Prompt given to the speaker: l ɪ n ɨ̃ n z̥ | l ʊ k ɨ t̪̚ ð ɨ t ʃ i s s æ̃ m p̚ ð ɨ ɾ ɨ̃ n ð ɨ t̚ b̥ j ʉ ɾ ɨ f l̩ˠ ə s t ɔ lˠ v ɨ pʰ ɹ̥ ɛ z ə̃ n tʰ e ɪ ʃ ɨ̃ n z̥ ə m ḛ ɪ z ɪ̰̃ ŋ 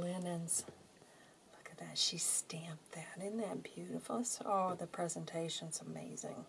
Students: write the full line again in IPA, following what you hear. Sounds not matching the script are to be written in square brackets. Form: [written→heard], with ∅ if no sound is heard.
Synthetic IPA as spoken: l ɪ n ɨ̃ n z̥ | l ʊ k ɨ t̪̚ ð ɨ t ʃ i s [s→t] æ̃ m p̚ ð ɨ ɾ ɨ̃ n ð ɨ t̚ b̥ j ʉ ɾ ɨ f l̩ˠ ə s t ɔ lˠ [v→ð] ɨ pʰ ɹ̥ ɛ z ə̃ n tʰ e ɪ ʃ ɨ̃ n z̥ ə m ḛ ɪ z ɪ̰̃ ŋ